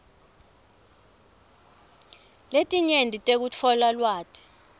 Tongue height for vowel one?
mid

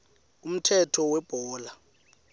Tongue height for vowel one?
high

